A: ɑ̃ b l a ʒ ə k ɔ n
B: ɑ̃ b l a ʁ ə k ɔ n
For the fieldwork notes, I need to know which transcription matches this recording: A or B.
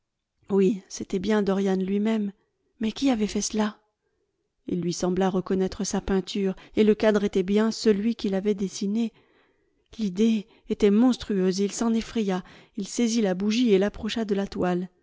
B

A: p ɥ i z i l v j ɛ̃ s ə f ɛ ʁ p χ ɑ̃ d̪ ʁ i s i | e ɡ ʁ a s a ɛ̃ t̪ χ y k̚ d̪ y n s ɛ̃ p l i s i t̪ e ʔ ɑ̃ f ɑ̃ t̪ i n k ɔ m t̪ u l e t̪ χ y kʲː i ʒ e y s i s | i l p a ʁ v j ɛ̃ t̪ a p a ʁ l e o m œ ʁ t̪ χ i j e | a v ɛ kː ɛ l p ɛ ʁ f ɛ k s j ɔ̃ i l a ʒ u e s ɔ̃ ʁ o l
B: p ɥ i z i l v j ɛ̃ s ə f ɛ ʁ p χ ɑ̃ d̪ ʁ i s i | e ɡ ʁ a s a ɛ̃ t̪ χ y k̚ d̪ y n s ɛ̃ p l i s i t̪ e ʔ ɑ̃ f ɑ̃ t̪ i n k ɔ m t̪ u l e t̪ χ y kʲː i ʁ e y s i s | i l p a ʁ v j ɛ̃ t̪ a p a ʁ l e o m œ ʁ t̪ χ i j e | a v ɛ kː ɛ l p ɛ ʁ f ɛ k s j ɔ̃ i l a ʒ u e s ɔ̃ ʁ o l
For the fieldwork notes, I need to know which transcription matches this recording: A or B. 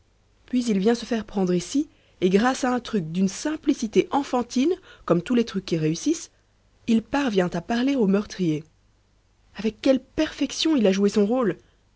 B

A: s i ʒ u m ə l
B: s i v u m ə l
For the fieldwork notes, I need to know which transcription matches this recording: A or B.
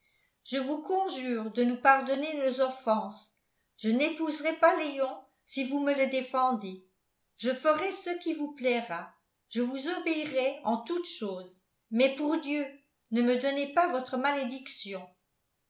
B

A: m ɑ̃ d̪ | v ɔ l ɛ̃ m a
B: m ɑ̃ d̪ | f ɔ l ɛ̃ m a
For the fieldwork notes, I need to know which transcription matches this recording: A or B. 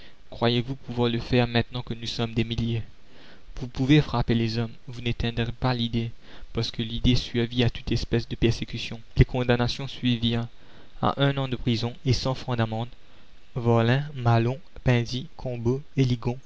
A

